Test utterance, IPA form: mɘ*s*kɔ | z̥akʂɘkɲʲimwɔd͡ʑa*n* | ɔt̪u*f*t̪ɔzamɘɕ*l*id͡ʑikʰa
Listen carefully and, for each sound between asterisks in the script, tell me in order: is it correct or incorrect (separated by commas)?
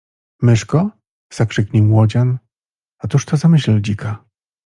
incorrect, correct, incorrect, correct